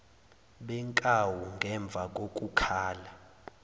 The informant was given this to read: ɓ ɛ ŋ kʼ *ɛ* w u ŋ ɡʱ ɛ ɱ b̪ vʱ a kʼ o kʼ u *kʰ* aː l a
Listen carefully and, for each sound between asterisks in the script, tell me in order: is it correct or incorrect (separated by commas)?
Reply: incorrect, correct